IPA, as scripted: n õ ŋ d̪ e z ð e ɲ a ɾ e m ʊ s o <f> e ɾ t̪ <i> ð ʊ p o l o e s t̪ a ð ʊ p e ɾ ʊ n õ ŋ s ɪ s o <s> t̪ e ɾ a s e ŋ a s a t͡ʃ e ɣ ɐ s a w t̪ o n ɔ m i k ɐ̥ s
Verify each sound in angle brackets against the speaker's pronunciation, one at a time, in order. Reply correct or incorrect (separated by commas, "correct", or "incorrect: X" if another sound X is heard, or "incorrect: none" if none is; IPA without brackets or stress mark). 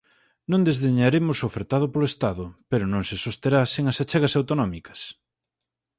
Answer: correct, incorrect: a, correct